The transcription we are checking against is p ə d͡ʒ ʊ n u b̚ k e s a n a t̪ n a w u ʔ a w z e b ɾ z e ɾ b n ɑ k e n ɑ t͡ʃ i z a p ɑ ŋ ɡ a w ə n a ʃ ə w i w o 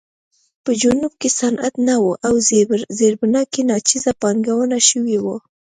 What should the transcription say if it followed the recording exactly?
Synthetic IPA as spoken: p ə d͡ʒ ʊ n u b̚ k e s a n a t̪ n a w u ʔ a w z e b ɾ z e ɾ b n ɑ k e n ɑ t͡ʃ i z a p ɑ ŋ ɡ a w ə n a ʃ ə w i w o